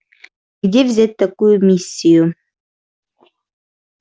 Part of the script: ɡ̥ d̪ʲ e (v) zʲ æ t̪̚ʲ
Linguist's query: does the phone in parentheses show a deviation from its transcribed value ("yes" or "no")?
no